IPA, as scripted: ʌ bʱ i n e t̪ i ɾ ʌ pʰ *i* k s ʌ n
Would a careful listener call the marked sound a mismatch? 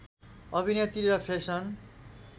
yes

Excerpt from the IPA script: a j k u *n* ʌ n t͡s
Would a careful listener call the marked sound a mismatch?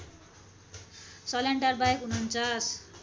no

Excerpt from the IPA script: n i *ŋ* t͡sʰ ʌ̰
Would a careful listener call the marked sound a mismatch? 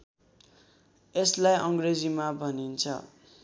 yes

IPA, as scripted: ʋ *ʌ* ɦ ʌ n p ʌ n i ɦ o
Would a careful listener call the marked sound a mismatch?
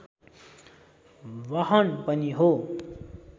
no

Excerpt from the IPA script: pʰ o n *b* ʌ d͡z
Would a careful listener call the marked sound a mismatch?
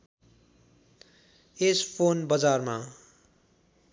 no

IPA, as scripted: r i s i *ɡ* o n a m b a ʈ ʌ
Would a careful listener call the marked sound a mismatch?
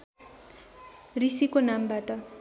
yes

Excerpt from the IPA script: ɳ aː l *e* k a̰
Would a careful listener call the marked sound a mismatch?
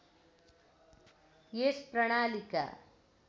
yes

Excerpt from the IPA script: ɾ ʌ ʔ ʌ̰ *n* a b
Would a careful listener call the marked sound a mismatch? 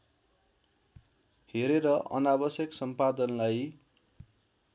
no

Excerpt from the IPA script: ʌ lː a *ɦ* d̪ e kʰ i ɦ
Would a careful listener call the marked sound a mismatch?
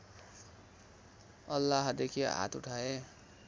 no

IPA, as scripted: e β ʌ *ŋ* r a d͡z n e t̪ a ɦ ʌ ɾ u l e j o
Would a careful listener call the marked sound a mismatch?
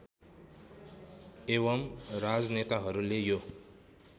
yes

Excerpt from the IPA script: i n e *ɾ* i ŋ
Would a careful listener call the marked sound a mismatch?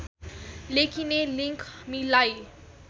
yes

